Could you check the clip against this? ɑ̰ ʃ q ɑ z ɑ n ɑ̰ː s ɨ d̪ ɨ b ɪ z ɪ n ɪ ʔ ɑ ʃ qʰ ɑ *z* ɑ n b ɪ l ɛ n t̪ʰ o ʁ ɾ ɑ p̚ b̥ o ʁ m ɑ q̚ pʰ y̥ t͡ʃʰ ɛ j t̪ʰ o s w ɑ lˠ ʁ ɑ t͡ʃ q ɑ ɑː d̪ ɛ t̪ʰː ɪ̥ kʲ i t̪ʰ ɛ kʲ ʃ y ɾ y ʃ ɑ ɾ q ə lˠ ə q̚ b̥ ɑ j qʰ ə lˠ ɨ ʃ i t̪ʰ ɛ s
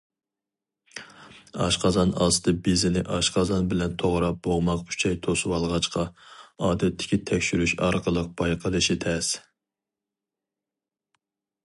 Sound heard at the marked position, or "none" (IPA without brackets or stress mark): z